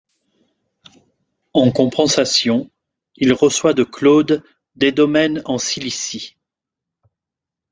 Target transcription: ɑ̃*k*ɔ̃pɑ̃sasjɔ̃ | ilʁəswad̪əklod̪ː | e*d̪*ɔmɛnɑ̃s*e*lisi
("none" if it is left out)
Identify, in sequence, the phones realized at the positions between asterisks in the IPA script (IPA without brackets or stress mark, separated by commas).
k, d̪, i